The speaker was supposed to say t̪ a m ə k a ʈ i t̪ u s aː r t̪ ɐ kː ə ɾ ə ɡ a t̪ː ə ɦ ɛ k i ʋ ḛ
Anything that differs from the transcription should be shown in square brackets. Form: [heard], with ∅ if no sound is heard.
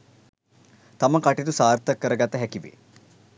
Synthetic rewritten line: t̪ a m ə k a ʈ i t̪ u s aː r t̪ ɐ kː ə ɾ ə ɡ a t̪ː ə ɦ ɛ k i ʋ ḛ